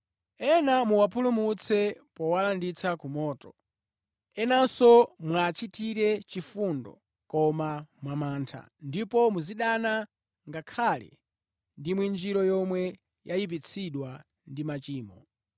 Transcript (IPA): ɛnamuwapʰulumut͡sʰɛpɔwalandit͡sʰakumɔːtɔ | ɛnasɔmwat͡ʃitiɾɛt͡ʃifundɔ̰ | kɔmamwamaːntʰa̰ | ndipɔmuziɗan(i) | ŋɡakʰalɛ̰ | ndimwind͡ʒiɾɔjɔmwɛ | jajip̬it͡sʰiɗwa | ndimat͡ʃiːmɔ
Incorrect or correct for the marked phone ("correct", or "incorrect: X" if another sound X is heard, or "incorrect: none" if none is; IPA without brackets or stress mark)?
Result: incorrect: a